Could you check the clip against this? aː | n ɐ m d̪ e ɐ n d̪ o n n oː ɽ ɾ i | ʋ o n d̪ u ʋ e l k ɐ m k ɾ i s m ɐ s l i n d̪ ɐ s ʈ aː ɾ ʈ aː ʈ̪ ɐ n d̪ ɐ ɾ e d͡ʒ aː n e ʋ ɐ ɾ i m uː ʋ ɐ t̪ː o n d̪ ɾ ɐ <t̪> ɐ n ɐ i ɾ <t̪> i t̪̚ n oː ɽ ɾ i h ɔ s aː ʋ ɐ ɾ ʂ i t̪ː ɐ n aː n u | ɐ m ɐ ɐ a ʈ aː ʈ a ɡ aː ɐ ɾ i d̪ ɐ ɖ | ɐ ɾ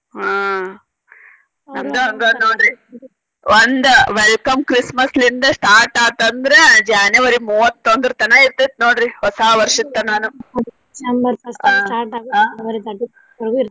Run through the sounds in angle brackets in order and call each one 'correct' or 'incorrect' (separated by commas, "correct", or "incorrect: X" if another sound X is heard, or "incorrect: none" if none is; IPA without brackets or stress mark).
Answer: correct, correct